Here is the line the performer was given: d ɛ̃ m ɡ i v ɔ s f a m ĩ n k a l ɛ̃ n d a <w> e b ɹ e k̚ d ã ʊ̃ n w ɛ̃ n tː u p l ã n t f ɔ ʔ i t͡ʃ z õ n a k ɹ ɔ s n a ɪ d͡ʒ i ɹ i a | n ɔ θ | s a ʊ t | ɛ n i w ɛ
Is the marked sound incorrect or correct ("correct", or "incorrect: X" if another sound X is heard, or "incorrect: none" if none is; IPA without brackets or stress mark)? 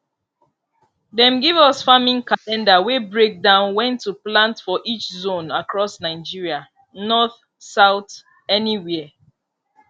correct